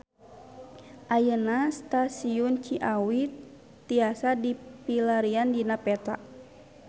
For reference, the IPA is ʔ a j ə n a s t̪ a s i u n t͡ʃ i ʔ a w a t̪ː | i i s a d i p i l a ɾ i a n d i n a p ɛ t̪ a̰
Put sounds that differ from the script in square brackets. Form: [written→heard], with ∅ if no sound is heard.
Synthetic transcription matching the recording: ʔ a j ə n a s t̪ a s i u n t͡ʃ i ʔ a w [a→i] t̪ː | i [i→a] s a d i p i l a ɾ i a n d i n a p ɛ t̪ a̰